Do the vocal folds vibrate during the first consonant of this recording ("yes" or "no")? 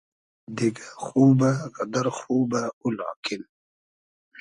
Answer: yes